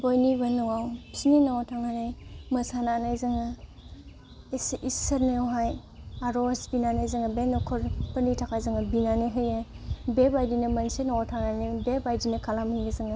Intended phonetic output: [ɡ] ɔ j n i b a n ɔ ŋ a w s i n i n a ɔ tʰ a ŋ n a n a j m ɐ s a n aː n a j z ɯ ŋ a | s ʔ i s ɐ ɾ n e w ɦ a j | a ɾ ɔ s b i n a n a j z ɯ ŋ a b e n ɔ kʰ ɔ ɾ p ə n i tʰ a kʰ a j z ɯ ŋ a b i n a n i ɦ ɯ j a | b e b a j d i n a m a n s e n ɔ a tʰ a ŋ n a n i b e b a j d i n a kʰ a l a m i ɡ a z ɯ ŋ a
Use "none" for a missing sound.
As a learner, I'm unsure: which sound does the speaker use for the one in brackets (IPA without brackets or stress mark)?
b